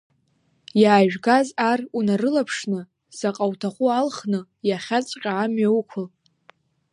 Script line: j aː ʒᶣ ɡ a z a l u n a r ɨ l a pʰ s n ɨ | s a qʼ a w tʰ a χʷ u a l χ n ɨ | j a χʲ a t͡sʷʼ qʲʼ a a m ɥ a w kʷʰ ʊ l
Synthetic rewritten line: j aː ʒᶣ ɡ a z a r u n a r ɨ l a pʰ ʂ n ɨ | s a qʼ a w tʰ a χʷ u a l χ n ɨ | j a χʲ a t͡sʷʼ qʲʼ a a m ɥ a w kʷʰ ʊ l